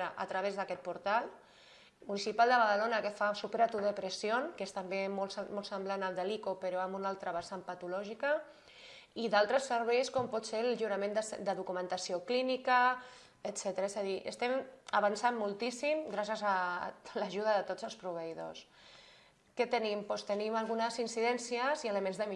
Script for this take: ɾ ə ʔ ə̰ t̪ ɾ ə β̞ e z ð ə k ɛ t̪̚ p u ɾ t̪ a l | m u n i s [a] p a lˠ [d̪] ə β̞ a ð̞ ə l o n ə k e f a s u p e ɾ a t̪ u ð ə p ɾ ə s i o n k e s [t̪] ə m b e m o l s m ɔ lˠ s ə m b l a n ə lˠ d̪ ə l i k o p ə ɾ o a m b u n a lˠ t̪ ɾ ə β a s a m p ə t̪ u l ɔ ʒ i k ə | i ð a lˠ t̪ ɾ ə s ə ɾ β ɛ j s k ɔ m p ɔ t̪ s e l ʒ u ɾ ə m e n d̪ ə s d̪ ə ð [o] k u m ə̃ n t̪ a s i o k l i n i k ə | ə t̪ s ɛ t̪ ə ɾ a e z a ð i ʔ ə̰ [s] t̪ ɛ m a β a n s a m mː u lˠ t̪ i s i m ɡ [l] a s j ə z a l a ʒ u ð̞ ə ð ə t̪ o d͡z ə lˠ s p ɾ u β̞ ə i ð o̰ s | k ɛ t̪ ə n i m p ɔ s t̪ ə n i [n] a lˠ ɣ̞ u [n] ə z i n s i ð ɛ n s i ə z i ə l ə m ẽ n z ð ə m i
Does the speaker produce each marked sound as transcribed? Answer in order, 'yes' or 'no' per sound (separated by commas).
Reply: no, yes, yes, no, yes, no, no, yes